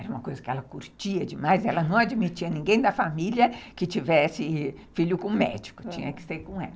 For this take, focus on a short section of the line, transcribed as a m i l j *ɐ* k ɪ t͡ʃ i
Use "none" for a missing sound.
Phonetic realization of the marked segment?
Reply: ɐ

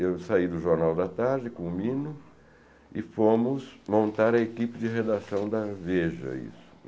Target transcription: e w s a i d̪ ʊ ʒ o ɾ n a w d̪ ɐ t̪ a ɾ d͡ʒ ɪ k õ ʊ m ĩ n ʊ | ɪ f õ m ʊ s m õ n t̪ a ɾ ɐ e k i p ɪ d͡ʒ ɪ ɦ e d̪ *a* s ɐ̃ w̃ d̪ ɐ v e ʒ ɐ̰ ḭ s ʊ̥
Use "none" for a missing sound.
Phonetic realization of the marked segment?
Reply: a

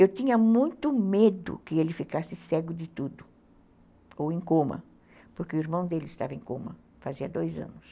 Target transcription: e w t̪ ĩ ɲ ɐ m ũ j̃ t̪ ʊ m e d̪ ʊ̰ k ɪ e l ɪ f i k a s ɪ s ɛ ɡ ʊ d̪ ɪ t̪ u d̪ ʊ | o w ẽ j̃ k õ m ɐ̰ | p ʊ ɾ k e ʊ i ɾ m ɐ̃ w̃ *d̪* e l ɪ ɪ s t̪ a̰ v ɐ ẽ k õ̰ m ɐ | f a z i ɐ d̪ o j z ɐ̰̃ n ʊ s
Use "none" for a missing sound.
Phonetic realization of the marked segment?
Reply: d̪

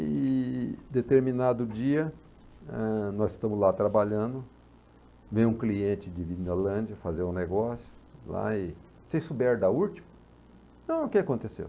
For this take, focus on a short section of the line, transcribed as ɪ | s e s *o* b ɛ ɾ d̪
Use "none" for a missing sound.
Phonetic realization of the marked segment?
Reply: u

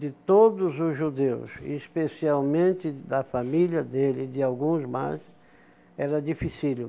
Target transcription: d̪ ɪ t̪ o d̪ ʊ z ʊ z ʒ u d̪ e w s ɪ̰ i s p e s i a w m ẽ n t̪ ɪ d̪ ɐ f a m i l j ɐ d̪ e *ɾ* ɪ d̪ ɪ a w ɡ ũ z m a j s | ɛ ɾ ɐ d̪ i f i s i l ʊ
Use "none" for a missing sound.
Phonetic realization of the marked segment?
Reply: l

